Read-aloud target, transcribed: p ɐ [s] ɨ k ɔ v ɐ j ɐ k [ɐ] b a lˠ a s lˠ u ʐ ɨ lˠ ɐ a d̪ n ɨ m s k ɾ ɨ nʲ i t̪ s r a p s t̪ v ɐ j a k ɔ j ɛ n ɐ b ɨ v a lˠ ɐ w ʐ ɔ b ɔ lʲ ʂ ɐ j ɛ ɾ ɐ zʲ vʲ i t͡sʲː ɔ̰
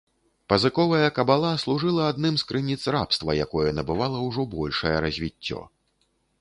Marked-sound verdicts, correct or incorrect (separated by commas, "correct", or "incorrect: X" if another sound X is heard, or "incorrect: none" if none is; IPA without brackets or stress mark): incorrect: z, correct